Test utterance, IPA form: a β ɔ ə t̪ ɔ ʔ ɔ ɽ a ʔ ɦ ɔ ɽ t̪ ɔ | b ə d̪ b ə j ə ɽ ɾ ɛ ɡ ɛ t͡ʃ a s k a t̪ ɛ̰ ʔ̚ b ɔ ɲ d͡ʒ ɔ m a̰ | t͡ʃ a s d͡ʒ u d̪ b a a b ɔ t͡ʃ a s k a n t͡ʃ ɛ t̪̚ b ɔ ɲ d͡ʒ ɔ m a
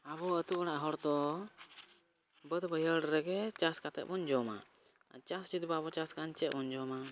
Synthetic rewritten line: a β ɔ ə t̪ u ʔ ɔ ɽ a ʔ ɦ ɔ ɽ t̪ ɔ | b ə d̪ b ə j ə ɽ ɾ ɛ ɡ ɛ t͡ʃ a s k a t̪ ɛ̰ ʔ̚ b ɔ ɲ d͡ʒ ɔ m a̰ | t͡ʃ a s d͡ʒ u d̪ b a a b ɔ t͡ʃ a s k a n t͡ʃ ɛ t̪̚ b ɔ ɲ d͡ʒ ɔ m a